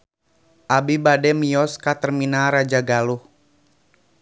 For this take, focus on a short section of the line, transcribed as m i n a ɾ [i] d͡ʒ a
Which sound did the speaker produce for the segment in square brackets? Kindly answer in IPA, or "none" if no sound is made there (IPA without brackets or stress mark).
a